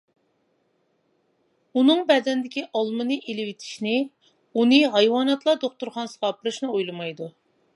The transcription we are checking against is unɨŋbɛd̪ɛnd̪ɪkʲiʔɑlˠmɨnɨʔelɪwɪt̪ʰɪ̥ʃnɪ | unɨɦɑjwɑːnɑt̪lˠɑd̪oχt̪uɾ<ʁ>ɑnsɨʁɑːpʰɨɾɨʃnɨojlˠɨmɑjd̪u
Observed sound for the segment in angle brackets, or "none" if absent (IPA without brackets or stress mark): χ